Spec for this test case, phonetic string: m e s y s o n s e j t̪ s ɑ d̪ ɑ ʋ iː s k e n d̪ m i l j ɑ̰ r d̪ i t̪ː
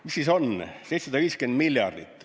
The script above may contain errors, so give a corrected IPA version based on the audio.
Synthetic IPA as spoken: m i s i s o n s e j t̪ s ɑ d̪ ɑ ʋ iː s k e n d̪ m i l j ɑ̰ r d̪ i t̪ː